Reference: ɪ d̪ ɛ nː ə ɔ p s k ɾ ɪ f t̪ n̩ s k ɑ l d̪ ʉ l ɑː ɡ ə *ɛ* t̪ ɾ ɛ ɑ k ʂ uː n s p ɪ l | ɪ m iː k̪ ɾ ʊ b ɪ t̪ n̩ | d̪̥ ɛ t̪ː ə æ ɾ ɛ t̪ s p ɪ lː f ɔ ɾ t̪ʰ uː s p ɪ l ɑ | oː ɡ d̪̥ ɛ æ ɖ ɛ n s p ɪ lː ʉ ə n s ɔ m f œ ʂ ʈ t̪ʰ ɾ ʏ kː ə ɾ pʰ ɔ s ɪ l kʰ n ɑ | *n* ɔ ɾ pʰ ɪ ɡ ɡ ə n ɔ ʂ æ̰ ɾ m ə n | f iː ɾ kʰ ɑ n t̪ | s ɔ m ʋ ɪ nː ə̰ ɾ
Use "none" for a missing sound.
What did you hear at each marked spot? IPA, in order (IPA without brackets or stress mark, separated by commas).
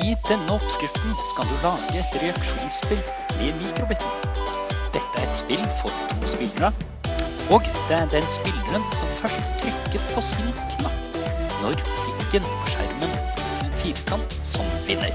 ɛ, n